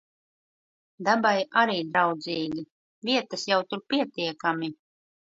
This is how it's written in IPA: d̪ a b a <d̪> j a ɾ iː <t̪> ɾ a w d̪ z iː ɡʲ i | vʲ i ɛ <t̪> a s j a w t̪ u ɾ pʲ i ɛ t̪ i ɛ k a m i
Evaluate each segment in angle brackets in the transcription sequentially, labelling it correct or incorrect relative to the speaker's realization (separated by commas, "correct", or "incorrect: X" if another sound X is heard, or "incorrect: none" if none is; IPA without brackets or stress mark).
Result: incorrect: none, incorrect: d̪, correct